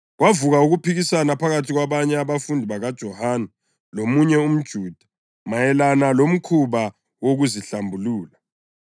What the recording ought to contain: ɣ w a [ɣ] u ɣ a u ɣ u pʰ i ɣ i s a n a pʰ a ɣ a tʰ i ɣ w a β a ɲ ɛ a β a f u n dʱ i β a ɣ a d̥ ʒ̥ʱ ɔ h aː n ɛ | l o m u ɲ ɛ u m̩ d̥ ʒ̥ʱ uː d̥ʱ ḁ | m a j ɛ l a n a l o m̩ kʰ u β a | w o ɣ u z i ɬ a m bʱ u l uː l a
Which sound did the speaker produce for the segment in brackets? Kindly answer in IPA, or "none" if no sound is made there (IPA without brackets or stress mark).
v